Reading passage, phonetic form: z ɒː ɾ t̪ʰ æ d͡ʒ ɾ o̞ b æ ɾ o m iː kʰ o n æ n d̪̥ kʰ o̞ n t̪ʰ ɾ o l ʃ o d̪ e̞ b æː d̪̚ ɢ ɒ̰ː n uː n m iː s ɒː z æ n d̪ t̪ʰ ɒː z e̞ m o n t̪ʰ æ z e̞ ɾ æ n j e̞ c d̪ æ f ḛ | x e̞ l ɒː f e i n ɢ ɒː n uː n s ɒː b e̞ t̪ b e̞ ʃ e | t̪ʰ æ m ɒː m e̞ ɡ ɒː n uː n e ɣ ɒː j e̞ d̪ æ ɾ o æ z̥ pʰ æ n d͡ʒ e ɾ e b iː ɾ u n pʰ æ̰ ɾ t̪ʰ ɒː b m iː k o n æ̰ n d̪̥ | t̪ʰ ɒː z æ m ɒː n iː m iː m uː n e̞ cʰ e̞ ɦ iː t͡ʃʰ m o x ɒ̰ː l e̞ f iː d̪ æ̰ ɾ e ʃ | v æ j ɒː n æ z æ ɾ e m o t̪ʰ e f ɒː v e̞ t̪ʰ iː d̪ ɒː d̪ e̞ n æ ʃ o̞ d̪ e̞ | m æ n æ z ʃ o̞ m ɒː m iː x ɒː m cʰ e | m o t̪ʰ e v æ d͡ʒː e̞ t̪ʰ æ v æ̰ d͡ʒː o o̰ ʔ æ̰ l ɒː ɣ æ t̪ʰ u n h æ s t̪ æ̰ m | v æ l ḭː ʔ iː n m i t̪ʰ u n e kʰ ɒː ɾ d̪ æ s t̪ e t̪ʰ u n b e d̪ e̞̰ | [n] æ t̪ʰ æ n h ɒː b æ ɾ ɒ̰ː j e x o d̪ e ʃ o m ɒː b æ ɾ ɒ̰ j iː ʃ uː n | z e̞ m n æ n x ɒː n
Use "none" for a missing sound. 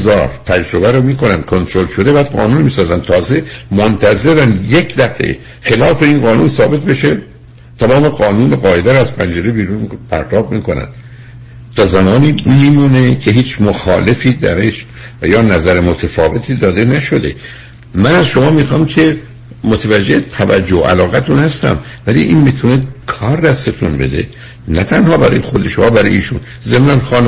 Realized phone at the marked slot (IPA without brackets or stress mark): n